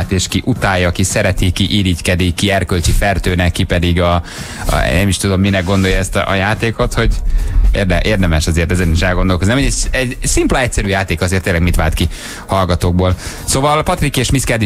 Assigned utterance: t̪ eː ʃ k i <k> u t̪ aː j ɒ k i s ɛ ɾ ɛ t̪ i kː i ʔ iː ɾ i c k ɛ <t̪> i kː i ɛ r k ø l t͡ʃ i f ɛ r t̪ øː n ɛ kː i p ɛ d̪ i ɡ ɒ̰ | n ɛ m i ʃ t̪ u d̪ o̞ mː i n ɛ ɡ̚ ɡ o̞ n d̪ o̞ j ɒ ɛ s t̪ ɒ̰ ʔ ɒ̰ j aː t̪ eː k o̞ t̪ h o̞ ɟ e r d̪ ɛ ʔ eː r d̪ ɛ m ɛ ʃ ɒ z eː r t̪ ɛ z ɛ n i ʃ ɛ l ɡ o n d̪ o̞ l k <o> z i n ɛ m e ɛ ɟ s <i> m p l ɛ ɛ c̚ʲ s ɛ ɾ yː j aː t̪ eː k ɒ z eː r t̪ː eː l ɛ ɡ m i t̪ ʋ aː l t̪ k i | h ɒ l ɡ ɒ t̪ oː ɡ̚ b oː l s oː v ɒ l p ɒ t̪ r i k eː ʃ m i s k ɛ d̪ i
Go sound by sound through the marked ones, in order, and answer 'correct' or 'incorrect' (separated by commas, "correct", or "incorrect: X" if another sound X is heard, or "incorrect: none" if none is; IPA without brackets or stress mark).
incorrect: ʔ, incorrect: d̪, correct, correct